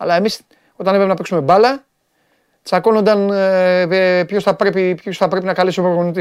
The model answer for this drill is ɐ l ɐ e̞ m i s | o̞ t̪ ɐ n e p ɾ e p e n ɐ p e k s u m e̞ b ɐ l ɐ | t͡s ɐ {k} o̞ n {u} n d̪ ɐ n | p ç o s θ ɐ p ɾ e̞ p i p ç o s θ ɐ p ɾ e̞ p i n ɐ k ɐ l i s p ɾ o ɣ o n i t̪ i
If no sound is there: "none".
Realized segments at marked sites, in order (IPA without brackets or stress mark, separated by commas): k, o